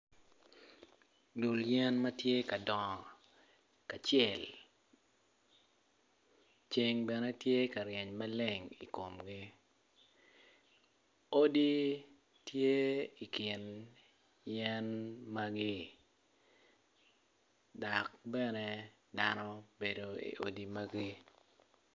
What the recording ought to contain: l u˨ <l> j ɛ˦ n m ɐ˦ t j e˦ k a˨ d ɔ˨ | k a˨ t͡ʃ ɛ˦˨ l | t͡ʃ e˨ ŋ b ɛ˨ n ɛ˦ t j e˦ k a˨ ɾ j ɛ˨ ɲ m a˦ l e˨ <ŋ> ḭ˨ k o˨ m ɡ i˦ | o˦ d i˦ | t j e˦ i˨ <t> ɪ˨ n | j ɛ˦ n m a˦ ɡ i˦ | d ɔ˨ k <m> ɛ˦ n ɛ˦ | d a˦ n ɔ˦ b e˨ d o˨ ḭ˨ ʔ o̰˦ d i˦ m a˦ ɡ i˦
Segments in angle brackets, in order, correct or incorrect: correct, correct, incorrect: k, incorrect: b

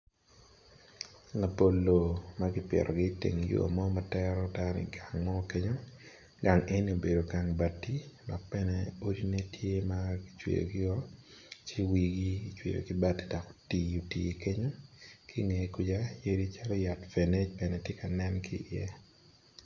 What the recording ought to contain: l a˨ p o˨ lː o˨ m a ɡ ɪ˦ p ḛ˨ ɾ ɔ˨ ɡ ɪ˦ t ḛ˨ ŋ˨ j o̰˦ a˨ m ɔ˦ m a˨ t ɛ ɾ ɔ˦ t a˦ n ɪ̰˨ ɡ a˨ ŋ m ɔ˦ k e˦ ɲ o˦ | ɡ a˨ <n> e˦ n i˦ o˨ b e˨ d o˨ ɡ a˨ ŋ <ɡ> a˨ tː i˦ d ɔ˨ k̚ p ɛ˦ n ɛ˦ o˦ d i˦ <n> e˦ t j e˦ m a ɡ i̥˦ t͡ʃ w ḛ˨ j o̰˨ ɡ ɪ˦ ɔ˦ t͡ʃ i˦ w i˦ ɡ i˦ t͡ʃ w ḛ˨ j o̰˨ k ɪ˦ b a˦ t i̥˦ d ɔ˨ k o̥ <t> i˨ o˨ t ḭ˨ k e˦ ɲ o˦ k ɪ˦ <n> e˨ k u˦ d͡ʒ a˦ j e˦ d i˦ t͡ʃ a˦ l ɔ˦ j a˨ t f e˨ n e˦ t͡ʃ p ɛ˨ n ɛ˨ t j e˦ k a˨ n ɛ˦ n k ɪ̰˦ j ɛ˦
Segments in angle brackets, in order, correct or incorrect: incorrect: ŋ, incorrect: b, correct, correct, incorrect: ŋ

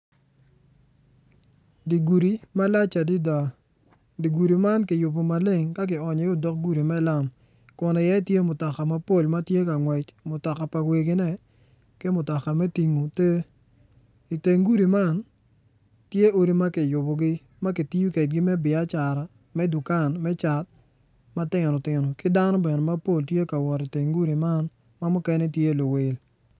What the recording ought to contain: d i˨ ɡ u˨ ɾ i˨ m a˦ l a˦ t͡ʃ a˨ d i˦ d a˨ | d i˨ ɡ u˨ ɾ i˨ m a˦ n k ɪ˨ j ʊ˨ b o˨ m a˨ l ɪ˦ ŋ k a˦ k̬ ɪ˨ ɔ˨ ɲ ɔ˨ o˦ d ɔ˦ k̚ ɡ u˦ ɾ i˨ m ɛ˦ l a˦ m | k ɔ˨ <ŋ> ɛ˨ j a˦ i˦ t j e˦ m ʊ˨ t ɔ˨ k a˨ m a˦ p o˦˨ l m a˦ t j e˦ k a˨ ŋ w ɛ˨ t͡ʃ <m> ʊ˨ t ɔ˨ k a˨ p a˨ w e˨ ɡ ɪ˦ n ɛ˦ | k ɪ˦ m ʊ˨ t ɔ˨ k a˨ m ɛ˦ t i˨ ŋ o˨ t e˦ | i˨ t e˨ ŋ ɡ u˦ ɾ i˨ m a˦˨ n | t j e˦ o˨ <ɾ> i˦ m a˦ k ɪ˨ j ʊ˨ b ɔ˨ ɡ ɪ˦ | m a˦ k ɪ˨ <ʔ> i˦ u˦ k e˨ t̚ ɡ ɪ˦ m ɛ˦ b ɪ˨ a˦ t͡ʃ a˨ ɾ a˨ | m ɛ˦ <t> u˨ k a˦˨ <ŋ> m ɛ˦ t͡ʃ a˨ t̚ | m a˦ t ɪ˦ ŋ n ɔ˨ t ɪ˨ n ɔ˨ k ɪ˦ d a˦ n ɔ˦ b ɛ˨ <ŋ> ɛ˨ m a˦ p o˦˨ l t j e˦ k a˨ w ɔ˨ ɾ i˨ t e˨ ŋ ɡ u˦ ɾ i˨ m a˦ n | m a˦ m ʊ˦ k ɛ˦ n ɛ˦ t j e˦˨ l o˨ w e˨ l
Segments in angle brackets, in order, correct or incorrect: incorrect: n, correct, correct, incorrect: t, incorrect: d, incorrect: n, incorrect: n

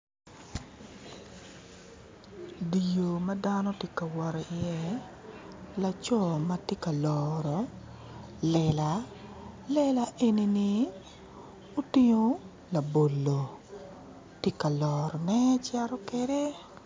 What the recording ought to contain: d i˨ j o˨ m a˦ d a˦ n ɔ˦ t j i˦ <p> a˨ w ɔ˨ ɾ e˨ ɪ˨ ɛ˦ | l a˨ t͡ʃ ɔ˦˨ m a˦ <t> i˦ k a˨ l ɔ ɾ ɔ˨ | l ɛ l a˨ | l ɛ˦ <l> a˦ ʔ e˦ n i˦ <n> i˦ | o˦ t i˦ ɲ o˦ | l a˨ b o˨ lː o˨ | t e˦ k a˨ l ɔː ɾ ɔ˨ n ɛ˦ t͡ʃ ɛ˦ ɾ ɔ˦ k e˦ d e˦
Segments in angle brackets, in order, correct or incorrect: incorrect: k, correct, correct, correct

